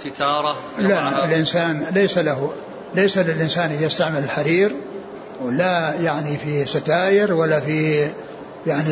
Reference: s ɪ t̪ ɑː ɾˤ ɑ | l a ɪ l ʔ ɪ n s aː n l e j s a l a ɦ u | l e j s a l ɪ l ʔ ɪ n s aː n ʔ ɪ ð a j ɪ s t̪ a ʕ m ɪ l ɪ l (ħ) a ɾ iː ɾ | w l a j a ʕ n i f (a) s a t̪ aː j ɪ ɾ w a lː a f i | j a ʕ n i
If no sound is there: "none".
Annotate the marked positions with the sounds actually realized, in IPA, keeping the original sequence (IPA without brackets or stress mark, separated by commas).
ħ, i